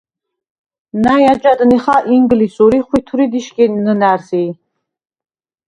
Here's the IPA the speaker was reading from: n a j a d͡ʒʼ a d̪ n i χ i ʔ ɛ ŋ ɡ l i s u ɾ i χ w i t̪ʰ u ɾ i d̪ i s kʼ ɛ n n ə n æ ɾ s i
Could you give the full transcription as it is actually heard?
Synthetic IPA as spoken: n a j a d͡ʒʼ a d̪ n i χ a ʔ i ŋ ɡ l i s u ɾ i χ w i t̪ʰ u ɾ i d̪ i ʃ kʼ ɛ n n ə n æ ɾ s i